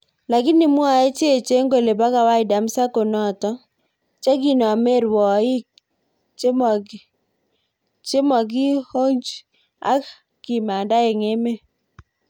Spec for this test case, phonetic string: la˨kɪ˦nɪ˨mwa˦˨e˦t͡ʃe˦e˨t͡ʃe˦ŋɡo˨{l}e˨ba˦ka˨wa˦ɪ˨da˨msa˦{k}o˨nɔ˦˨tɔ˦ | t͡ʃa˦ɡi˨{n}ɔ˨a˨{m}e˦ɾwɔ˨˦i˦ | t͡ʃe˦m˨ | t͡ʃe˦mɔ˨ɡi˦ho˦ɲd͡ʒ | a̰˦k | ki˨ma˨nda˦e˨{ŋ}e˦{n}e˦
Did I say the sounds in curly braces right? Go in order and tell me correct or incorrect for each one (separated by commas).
correct, correct, correct, correct, correct, incorrect